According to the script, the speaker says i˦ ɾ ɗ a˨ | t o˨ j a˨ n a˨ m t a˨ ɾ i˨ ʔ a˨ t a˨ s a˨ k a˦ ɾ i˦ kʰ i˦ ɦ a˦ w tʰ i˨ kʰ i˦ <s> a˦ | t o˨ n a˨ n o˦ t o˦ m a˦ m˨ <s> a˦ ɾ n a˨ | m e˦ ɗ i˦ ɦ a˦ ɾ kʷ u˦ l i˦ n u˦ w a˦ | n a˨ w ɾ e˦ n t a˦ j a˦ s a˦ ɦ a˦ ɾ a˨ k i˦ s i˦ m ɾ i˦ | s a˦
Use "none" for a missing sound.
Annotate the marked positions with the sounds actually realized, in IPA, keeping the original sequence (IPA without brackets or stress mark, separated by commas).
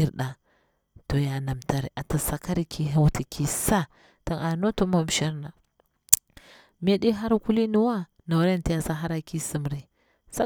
s, ʃ